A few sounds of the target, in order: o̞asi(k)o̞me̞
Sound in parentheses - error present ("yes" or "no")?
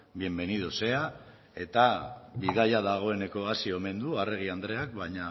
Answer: yes